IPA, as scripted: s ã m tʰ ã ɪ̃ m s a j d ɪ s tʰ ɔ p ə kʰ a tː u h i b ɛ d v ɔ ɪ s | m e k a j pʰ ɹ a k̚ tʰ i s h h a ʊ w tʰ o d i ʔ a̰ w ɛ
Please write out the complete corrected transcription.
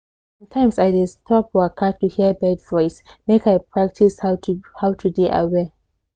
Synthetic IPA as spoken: s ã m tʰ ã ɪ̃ m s a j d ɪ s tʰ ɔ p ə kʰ a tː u h i b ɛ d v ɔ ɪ s | m e k a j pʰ ɹ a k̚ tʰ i s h h a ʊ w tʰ u d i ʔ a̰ w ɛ